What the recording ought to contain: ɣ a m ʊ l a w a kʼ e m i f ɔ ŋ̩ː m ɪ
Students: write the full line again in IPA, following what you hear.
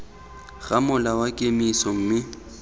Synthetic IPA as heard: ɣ a m ʊ l a w a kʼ e m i s ɔ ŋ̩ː m ɪ

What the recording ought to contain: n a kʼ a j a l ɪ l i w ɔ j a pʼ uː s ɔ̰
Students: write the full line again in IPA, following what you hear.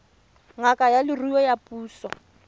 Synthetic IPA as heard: ŋ a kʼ a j a l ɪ r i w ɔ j a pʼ uː s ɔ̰

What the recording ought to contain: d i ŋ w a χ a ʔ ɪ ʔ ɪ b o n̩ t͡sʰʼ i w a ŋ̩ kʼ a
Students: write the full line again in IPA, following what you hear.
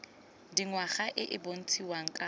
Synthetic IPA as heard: d i ŋ w a χ a ʔ ɪ ʔ ɪ b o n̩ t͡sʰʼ i w a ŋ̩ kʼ a

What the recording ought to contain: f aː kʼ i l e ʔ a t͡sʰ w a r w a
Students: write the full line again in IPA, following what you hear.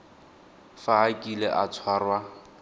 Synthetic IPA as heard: f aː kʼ i l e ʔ a t͡sʰ w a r w a

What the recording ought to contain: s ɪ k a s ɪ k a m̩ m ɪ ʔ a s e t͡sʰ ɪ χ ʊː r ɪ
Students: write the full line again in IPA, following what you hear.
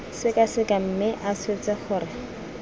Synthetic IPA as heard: s ɪ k a s ɪ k a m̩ m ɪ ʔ a s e t͡s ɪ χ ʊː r ɪ

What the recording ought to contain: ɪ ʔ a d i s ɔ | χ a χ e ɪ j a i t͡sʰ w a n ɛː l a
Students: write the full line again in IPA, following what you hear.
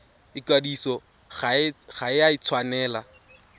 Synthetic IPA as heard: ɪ k a d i s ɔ | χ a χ a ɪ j a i t͡sʰ w a n ɛː l a

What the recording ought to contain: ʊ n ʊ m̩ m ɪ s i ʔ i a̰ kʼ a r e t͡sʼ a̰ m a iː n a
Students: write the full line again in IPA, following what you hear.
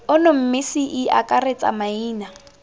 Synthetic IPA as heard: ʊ n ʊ m̩ m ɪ s i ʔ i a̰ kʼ a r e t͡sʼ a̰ m a iː n a

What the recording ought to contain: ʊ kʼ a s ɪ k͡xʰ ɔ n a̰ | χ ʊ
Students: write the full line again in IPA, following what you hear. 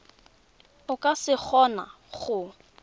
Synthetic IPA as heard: ʊ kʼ a s ɪ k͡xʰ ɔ n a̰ | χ ʊ

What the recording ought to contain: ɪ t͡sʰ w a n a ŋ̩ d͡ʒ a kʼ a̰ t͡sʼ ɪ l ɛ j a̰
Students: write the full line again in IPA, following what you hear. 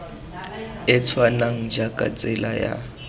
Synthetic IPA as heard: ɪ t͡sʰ w a n a ŋ̩ d͡ʒ a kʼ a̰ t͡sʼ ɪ l a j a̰

